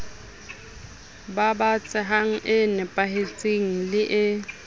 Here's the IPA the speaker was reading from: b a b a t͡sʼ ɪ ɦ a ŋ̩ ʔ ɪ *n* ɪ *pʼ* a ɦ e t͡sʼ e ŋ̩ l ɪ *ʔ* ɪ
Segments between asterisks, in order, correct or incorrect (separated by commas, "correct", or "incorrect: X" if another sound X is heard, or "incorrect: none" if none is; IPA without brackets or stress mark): correct, correct, correct